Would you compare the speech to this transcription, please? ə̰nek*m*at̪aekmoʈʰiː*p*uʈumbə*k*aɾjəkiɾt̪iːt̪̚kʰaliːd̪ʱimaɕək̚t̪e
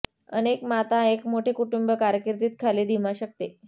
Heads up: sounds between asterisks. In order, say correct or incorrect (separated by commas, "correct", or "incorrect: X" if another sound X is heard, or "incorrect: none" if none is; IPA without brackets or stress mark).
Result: correct, incorrect: k, correct